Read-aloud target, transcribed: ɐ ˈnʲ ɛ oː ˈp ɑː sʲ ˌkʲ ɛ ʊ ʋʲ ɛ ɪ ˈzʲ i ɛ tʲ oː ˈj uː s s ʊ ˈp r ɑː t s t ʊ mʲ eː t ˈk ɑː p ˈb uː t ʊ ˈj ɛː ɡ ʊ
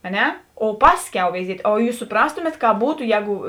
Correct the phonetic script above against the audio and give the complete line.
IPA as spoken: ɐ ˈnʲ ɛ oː ˈp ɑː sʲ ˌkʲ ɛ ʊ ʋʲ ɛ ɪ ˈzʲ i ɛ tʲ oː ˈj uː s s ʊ ˈp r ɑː s t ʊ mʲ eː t ˈk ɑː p ˈb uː t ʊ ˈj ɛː ɡ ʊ